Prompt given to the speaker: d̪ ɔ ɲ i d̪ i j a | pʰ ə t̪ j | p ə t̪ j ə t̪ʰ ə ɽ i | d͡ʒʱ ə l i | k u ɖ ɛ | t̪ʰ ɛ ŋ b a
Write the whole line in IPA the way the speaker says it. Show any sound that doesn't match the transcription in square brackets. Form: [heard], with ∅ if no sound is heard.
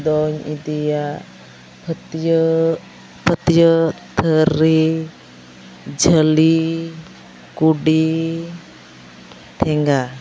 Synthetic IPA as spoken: d̪ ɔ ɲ i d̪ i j a | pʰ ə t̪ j | p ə t̪ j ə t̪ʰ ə [ɾ] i | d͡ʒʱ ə l i | k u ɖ [i] | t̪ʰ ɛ ŋ [ɡ] a